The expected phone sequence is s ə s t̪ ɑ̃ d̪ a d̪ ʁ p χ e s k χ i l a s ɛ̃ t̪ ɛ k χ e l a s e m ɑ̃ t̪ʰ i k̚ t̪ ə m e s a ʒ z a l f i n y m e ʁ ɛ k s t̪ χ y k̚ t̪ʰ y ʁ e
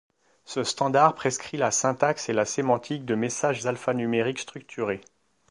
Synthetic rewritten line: s ə s t̪ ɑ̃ d̪ a ʁ p χ e s k χ i l a s ɛ̃ t̪ a k s e l a s e m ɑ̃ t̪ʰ i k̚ d̪ ə m e s a ʒ z a l f a n y m e ʁ i k s t̪ χ y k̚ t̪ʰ y ʁ e